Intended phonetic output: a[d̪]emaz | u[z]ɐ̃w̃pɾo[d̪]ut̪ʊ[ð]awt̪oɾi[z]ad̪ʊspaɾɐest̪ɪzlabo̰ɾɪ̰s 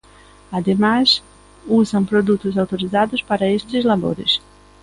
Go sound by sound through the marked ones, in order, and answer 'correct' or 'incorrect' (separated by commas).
correct, correct, correct, incorrect, correct